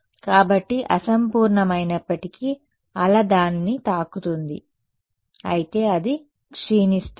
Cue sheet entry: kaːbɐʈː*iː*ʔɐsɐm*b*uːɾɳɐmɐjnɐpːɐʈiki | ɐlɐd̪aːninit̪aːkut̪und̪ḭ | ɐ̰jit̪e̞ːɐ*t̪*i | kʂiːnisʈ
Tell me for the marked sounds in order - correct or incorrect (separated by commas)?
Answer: incorrect, incorrect, incorrect